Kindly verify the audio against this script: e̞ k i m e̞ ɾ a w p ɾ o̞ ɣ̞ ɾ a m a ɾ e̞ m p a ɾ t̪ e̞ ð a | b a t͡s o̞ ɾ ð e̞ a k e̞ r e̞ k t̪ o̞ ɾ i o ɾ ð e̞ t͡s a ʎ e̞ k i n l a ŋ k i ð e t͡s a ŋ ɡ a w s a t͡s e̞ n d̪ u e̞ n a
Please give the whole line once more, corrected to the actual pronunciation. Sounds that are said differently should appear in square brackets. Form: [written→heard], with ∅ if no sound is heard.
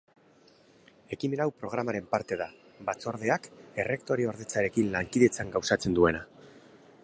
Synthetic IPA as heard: e̞ k i m e̞ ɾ a w p ɾ o̞ ɣ̞ ɾ a m a ɾ e̞ m p a ɾ t̪ e̞ ð a | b a t͡s o̞ ɾ ð e̞ a k e̞ r e̞ k t̪ o̞ ɾ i o ɾ ð e̞ t͡s a [ʎ→ɾ] e̞ k i n l a ŋ k i ð e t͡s a ŋ ɡ a w s a t͡s e̞ n d̪ u e̞ n a